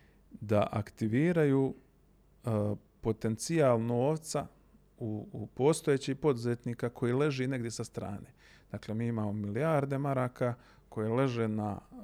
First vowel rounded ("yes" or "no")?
no